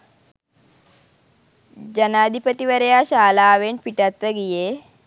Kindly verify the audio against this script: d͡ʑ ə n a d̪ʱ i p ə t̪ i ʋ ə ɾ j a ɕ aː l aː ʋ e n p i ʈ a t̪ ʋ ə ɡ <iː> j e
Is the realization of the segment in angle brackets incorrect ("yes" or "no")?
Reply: yes